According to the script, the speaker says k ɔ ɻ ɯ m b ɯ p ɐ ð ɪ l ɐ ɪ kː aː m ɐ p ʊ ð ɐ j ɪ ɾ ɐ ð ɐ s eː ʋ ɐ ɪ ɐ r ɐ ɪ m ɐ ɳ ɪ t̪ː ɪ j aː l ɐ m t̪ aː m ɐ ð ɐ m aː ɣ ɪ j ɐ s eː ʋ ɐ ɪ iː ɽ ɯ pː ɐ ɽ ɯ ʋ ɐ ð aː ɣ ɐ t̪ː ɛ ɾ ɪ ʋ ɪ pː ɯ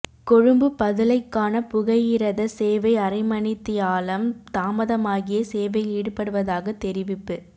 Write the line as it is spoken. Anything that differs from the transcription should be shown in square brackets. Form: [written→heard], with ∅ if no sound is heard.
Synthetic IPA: k ɔ ɻ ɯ m b ɯ p ɐ ð ɪ l ɐ ɪ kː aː [m→n] ɐ p ʊ [ð→ɣ] ɐ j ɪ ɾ ɐ ð ɐ s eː ʋ ɐ ɪ ɐ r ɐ ɪ m ɐ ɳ ɪ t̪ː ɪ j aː l ɐ m t̪ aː m ɐ ð ɐ m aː ɣ ɪ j ɐ s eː ʋ ɐ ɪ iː ɽ ɯ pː ɐ ɽ ɯ ʋ ɐ ð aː ɣ ɐ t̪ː ɛ ɾ ɪ ʋ ɪ pː ɯ